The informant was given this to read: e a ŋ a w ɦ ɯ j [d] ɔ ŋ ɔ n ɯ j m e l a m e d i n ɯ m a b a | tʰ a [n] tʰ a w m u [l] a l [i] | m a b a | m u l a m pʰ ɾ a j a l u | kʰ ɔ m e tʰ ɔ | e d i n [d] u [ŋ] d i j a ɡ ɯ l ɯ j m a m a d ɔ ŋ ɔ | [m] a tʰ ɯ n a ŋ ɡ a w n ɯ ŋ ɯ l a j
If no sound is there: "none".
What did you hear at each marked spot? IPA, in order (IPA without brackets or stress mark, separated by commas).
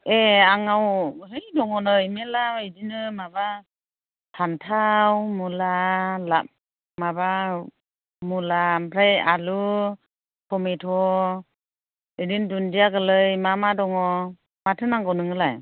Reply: d, n, l, a, d, n, m